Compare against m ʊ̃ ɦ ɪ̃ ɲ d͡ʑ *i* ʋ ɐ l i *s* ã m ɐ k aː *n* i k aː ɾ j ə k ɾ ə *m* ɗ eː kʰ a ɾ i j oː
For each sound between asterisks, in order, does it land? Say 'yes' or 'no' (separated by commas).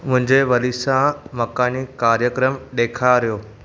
no, yes, yes, yes